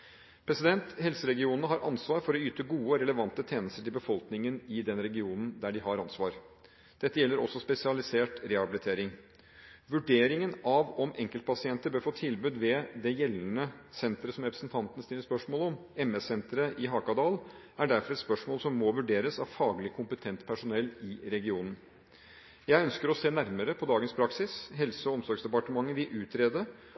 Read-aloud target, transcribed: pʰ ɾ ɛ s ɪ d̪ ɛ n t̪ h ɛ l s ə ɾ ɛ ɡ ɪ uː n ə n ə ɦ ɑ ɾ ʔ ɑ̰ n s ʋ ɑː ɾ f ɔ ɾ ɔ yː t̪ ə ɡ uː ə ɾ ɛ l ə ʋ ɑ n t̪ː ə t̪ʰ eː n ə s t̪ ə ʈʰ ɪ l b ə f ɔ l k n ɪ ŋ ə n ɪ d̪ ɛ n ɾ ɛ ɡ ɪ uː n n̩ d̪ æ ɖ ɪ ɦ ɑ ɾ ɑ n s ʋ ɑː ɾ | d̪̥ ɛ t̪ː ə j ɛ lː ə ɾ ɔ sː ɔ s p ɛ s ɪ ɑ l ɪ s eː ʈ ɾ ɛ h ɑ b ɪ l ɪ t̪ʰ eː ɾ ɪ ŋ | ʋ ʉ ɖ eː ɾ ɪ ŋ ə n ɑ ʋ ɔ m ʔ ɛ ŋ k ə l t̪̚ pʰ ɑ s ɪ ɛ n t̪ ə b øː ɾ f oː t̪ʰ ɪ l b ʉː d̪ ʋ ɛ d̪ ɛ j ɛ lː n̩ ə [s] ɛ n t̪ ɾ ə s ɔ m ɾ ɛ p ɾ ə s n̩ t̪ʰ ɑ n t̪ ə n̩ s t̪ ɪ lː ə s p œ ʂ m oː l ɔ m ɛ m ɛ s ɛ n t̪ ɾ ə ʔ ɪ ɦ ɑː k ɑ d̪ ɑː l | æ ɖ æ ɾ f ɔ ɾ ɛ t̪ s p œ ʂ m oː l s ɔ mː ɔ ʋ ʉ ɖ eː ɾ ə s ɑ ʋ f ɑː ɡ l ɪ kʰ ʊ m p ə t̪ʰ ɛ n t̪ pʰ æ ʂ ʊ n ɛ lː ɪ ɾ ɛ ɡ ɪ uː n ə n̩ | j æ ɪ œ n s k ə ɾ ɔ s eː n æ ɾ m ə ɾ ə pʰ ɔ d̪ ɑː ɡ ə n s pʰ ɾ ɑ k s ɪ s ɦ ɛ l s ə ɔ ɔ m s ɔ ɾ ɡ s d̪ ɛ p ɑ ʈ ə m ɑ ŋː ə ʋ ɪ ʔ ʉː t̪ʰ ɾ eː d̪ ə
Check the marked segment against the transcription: correct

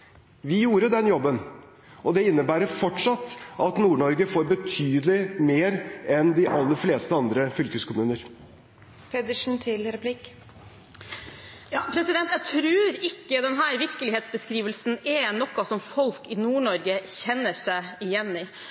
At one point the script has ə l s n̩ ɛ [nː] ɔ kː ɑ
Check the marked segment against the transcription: incorrect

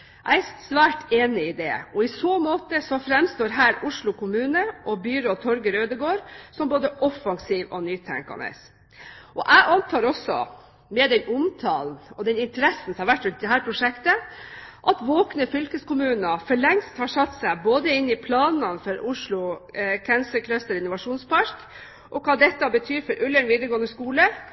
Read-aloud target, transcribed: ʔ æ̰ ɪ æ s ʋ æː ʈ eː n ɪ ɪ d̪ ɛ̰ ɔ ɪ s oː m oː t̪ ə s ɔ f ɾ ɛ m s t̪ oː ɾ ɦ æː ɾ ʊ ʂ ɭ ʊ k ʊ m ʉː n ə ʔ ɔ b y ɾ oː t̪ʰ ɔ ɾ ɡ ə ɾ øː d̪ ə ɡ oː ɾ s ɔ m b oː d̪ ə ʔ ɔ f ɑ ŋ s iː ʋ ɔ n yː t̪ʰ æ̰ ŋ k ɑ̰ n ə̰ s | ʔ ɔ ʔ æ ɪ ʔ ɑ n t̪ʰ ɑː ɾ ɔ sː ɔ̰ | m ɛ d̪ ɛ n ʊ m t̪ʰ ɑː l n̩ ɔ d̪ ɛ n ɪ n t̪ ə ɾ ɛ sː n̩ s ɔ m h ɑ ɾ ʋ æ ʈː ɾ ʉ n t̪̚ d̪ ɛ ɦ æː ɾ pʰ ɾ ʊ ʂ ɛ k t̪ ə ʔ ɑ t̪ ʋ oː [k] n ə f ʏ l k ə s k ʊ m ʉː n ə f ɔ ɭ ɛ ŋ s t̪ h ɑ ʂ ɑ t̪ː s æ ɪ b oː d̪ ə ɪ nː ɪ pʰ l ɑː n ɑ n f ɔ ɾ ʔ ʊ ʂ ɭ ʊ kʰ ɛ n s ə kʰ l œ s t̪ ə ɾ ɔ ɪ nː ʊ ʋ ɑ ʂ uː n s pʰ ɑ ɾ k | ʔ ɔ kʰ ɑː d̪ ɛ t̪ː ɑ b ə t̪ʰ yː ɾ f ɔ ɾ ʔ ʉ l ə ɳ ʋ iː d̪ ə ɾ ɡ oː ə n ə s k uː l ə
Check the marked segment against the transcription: correct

